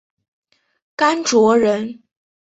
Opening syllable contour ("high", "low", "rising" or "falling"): high